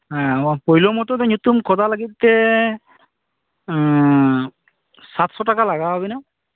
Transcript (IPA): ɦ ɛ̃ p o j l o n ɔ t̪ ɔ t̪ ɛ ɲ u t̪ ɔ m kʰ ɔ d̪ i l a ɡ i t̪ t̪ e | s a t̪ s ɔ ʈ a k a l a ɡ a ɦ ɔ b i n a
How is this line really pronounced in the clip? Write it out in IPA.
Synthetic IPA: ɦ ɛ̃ p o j l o m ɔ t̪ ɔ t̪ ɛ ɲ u t̪ u m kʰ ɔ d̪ a l a ɡ i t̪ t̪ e | s a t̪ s ɔ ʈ a k a l a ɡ a ɦ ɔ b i n a